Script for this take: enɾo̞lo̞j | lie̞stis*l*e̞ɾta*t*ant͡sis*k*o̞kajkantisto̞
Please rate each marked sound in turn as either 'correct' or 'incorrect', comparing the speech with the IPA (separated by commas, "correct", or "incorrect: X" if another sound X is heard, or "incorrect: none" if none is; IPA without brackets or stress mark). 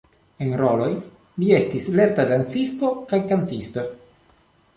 correct, incorrect: d, incorrect: t